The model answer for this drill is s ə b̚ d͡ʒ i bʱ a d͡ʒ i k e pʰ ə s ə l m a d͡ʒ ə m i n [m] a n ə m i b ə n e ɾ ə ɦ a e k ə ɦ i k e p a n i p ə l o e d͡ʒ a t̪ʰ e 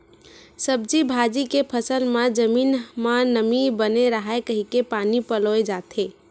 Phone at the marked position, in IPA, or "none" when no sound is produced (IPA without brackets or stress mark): m